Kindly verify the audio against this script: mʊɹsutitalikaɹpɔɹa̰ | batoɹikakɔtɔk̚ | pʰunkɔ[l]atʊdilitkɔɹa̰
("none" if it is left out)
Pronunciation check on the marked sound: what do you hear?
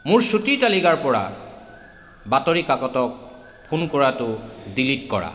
ɹ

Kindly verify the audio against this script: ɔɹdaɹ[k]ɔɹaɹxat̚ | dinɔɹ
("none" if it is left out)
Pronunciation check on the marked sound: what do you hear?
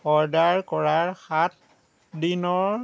k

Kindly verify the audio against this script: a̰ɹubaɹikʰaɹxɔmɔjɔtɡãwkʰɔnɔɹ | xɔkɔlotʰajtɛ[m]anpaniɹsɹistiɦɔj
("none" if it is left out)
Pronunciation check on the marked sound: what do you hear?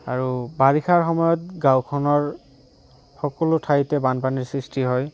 b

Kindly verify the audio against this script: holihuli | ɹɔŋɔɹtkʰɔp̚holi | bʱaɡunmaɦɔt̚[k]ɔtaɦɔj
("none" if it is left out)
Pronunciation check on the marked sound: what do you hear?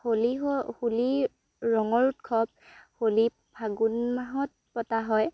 p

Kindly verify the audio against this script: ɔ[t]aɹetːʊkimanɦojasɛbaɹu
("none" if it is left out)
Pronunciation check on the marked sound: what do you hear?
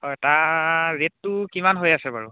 t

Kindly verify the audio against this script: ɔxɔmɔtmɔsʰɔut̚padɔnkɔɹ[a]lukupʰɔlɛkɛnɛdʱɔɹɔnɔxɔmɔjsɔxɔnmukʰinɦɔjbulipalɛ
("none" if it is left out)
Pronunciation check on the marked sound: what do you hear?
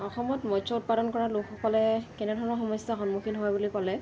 a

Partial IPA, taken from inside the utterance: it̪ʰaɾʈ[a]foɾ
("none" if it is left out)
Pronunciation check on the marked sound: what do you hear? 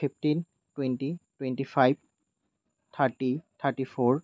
i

